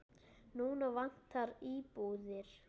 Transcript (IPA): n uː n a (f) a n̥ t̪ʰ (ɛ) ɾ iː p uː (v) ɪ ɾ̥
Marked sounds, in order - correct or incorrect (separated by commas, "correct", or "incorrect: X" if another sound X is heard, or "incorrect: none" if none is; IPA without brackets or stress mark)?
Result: incorrect: v, incorrect: a, incorrect: ð